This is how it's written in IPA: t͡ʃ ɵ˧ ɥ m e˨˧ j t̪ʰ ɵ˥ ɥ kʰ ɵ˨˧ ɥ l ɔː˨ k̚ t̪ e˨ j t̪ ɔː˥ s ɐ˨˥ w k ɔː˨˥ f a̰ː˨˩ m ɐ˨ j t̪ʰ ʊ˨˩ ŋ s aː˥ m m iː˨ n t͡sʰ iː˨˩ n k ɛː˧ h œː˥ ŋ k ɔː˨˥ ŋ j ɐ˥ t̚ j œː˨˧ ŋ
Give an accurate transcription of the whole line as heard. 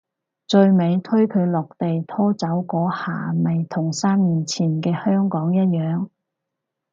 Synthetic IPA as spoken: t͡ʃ ɵ˧ ɥ m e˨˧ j t̪ʰ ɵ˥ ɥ kʰ ɵ˨˧ ɥ l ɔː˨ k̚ t̪ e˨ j t̪ʰ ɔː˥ t͡s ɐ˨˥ w k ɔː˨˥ h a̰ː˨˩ m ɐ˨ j t̪ʰ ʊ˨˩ ŋ s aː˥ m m iː˨ n t͡sʰ iː˨˩ n k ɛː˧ h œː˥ ŋ k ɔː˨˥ ŋ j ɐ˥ t̚ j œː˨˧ ŋ